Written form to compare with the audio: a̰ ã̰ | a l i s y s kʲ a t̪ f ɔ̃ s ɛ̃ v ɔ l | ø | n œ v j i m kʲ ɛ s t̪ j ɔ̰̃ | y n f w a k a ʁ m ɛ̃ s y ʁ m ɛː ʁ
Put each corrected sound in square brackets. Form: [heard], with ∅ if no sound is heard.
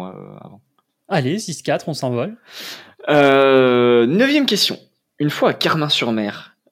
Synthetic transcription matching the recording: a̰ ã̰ | a l [e] s [i] s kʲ a t̪ [χ] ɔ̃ s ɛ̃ v ɔ l | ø | n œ v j [ɛ] m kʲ ɛ s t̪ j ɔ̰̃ | y n f w a k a ʁ m ɛ̃ s y ʁ m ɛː ʁ